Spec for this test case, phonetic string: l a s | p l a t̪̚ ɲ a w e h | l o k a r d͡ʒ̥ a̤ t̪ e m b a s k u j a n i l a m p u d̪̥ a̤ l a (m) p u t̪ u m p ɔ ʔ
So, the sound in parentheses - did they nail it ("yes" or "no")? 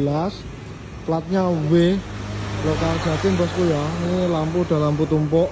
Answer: yes